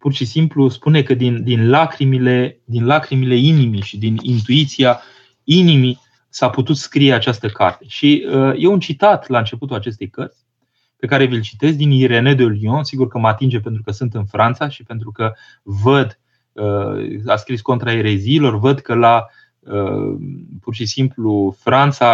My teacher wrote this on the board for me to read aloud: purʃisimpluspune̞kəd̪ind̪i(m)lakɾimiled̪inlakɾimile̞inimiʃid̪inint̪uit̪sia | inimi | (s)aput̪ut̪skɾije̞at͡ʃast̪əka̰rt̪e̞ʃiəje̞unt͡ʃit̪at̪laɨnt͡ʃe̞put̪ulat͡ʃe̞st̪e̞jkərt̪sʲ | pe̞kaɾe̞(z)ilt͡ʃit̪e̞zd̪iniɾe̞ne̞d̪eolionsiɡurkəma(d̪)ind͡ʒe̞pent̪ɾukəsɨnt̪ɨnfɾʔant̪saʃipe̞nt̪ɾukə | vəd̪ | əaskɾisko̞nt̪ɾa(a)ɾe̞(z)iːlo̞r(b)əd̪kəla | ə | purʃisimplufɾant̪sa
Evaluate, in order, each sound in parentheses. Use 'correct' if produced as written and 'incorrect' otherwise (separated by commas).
incorrect, correct, incorrect, incorrect, incorrect, correct, incorrect